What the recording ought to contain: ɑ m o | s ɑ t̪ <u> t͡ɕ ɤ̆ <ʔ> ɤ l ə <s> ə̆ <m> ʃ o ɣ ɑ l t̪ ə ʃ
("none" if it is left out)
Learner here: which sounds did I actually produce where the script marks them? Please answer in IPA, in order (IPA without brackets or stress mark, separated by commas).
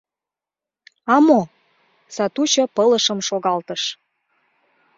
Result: u, p, ʃ, m